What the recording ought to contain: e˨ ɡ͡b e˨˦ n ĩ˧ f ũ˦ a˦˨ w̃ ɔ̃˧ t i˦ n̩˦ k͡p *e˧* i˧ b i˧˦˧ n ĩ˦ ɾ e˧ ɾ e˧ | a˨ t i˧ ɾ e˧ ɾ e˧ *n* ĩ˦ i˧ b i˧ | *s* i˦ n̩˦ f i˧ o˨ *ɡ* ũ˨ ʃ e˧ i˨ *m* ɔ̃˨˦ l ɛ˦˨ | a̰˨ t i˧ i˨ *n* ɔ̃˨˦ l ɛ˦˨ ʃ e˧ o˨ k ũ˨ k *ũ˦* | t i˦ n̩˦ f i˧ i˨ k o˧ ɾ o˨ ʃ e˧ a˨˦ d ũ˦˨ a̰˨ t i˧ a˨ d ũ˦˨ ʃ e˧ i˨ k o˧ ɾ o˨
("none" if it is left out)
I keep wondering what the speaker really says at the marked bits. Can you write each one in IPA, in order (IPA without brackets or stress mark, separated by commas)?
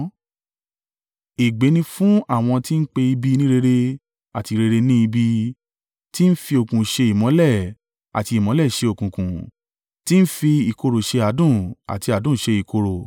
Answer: e˧, n, t, k, m, m, ũ˨